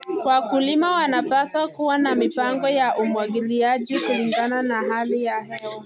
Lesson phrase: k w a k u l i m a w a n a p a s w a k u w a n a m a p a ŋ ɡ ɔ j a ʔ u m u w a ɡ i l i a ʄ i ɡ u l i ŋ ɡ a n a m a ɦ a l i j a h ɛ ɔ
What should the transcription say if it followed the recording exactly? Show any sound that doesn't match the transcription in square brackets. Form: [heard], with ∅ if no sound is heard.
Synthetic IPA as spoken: k w a k u l i m a w a n a p a s w a k u w a n a m [i] p a ŋ ɡ ɔ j a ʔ u m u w a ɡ i l i a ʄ i [k] u l i ŋ ɡ a n a [n] a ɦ a l i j a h ɛ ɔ

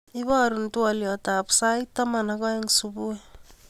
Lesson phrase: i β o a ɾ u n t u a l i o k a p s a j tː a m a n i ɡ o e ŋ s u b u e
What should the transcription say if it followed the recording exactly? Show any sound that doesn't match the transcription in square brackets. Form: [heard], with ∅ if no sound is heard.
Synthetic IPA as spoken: i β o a ɾ u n t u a l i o [t] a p s a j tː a m a n [a] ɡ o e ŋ s u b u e

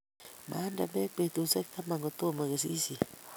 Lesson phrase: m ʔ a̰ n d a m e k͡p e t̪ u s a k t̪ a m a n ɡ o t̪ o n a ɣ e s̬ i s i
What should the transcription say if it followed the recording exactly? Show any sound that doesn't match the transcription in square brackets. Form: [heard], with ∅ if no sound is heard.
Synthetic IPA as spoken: m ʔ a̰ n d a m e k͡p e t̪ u s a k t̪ a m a [ŋ] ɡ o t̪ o [m] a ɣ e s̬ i s i

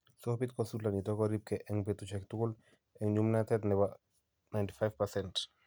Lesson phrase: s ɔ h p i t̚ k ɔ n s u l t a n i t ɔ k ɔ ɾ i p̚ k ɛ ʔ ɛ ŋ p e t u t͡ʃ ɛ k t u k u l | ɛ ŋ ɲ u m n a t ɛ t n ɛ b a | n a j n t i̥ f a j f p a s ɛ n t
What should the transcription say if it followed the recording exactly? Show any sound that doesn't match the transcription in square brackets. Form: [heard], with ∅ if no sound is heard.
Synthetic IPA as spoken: s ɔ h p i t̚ k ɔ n s u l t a n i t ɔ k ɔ ɾ i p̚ k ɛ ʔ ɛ ŋ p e t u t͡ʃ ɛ k t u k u l | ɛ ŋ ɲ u m n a t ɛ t n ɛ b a | n a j n t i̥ f a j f p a s ɛ n t

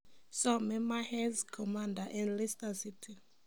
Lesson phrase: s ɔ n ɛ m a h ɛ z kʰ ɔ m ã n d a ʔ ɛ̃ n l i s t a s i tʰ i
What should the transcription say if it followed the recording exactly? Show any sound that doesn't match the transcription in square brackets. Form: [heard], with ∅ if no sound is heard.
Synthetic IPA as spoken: s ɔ [m] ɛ m a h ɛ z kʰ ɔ m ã n d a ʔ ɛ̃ n l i s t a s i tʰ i

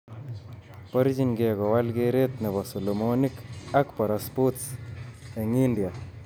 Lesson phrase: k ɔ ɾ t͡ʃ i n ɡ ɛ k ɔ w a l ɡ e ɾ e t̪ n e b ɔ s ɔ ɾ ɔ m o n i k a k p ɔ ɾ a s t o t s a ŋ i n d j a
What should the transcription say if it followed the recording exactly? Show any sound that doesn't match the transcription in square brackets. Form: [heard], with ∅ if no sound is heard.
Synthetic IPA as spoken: [p] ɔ ɾ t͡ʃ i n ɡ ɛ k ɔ w a l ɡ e ɾ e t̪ n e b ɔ s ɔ [l] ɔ m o n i k a k p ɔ ɾ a s [p] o t s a ŋ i n d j a

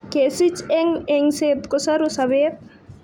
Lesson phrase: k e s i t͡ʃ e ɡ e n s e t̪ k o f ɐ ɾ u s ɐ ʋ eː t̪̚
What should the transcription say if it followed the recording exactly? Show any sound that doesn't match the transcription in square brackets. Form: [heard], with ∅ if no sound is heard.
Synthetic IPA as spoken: k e s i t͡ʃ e [ŋ] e [ŋ] s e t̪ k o [s] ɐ ɾ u s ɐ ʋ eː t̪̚

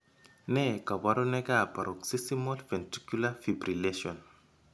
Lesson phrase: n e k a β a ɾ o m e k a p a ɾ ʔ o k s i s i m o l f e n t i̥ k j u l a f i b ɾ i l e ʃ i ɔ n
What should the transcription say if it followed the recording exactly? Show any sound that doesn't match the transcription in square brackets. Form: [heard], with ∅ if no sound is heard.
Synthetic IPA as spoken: n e k a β a ɾ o [n] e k a p a ɾ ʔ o k s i s i m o l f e n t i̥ k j u l a f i b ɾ i l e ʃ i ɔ n

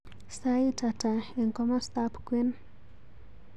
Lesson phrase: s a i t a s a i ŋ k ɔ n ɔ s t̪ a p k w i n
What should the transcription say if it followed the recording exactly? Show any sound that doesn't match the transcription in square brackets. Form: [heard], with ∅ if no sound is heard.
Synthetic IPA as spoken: s a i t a [t] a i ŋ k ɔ [m] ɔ s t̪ a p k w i n

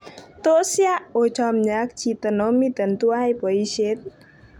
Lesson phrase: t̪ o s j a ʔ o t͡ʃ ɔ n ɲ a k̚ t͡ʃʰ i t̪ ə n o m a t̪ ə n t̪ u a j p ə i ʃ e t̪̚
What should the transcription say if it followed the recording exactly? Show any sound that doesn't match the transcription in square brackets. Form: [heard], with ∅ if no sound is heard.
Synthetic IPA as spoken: t̪ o s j a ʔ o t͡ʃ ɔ [m] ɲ a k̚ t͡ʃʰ i t̪ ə n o m [i] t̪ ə n t̪ u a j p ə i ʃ e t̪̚

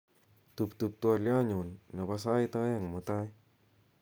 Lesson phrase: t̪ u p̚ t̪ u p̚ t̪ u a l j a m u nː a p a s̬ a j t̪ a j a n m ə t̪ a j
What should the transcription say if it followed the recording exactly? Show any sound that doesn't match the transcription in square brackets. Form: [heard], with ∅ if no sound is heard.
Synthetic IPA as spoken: t̪ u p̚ t̪ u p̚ t̪ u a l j a [ɲ] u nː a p a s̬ a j t̪ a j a [ŋ] m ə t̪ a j

